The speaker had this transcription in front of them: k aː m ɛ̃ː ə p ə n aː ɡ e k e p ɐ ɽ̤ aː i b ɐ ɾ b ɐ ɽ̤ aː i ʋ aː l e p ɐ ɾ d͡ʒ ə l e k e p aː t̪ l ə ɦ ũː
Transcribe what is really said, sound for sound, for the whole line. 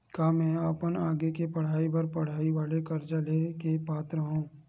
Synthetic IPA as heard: k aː m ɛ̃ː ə p ə n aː ɡ e k e p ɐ ɽ̤ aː i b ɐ ɾ p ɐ ɽ̤ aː i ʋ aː l e k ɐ ɾ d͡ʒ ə l e k e p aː t̪ ɾ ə ɦ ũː